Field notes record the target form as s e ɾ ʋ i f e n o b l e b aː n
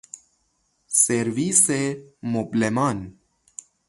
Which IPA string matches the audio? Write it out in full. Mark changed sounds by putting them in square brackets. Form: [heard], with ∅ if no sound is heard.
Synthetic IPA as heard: s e ɾ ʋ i [s] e [m] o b l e [m] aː n